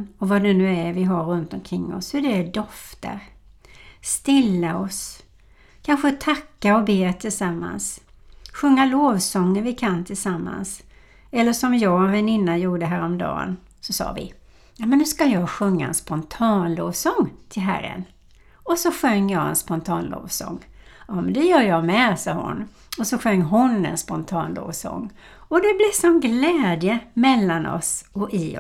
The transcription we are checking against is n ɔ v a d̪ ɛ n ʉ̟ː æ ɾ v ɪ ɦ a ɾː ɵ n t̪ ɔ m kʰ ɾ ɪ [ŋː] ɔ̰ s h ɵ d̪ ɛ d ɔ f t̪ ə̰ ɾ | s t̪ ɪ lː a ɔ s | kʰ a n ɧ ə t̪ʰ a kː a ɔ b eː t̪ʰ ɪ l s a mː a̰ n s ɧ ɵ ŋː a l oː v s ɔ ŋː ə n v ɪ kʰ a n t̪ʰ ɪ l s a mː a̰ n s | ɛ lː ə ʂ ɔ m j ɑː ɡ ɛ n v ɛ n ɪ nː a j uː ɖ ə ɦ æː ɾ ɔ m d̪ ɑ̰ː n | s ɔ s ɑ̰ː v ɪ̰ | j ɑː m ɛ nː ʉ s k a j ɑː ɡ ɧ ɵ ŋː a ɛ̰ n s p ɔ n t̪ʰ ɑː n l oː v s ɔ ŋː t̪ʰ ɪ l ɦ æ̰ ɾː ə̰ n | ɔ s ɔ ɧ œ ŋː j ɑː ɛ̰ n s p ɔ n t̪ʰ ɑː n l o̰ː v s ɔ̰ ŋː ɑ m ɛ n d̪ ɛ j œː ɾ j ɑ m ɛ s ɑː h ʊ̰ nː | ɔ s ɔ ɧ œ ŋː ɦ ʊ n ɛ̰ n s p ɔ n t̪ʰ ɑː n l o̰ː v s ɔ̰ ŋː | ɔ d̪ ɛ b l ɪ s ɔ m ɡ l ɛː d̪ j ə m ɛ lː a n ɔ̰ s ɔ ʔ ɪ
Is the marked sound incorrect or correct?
correct